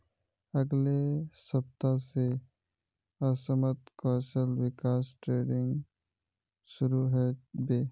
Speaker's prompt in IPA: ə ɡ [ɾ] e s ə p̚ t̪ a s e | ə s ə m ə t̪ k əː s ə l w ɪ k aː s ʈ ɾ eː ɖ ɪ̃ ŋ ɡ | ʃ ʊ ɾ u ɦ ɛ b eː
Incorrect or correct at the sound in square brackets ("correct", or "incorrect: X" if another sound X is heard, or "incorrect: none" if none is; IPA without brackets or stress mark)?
incorrect: l